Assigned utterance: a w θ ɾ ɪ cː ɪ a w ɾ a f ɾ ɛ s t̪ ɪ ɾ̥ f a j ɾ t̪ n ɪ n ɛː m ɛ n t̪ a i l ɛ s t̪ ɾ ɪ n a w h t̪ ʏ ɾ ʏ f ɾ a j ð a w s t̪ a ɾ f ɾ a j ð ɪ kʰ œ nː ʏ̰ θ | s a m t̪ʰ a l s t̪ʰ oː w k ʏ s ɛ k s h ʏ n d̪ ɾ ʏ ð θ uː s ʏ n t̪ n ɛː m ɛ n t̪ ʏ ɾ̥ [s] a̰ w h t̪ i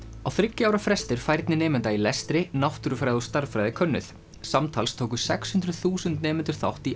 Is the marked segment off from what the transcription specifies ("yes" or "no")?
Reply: yes